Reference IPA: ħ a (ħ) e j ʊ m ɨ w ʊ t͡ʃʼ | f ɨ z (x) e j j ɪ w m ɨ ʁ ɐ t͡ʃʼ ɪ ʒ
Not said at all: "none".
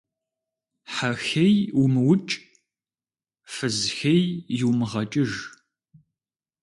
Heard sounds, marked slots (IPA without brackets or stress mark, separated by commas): x, x